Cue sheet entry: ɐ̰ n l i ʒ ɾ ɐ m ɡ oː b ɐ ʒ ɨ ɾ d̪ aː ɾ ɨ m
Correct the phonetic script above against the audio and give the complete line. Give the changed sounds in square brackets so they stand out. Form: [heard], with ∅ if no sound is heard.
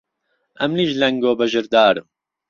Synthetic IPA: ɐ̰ [m] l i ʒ [l] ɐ [ŋ] ɡ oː b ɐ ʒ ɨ ɾ d̪ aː ɾ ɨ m